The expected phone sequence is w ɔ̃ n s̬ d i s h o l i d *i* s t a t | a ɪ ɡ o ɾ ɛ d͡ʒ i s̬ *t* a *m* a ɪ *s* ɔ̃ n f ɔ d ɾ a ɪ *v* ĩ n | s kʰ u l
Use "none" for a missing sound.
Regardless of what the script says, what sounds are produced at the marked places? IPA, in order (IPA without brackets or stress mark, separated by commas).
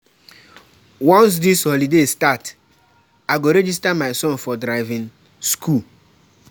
e, t, m, s, v